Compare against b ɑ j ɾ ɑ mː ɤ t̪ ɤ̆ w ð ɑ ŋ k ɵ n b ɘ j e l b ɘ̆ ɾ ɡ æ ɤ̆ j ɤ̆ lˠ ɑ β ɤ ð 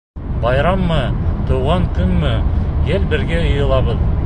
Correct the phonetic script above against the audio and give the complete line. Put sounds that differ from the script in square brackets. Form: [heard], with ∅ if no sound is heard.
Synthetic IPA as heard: b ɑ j ɾ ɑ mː ɤ t̪ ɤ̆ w [ʁ] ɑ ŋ k ɵ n [m] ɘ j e l b ɘ̆ ɾ ɡ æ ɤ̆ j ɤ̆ lˠ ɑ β ɤ ð